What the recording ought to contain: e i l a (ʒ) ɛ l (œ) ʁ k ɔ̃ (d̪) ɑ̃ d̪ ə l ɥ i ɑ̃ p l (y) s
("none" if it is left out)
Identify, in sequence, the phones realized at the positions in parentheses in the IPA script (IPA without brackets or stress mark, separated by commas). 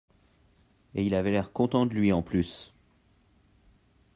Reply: v, ɛ, t̪, y